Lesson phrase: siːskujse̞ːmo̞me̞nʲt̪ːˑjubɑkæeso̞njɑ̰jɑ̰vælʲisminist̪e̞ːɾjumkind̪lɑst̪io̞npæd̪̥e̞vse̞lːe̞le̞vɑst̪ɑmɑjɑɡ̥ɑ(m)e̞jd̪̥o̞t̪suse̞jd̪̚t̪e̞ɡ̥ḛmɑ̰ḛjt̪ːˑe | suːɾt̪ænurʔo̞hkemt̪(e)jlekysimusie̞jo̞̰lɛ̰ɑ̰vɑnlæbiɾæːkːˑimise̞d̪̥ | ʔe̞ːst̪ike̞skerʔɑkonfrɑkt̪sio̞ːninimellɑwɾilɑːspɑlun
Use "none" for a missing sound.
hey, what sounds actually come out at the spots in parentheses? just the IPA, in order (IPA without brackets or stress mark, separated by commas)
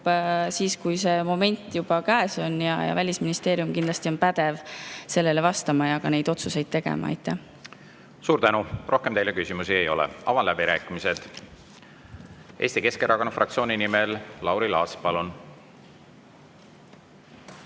n, e